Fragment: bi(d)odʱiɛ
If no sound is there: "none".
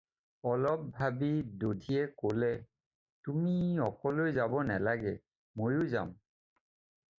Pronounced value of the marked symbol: d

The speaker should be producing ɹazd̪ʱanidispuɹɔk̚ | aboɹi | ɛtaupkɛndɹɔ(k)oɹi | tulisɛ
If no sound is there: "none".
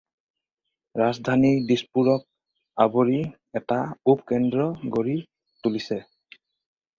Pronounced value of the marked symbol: ɡ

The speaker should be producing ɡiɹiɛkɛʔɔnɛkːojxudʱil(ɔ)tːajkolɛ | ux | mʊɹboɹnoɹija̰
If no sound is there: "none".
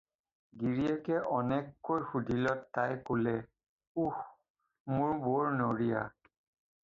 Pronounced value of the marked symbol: ɔ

